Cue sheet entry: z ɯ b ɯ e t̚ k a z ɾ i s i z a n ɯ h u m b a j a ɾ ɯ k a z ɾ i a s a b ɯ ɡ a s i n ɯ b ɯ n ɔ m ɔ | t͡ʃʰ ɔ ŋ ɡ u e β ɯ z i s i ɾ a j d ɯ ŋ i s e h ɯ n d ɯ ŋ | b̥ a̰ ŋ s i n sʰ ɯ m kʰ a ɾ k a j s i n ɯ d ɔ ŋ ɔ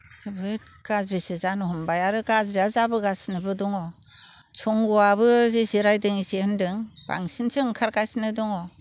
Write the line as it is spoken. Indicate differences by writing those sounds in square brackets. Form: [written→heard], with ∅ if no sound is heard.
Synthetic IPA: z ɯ b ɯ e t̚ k a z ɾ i s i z a n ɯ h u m b a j a ɾ ɯ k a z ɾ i a [s→z] a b ɯ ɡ a s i n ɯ b ɯ [n→d] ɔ [m→ŋ] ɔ | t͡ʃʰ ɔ ŋ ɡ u [e→a] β ɯ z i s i ɾ a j d ɯ ŋ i s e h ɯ n d ɯ ŋ | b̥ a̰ ŋ s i n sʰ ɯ [m→ŋ] kʰ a ɾ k a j s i n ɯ d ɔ ŋ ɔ